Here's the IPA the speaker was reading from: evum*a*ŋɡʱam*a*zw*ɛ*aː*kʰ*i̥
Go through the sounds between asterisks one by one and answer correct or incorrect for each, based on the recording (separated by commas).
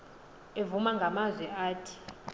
correct, correct, correct, incorrect